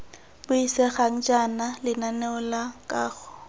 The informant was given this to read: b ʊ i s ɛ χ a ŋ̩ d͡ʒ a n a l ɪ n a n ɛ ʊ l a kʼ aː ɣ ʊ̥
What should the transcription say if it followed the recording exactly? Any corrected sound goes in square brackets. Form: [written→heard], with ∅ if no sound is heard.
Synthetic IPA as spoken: b ʊ i s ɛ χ a ŋ̩ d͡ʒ a n a l ɪ n a n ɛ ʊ l a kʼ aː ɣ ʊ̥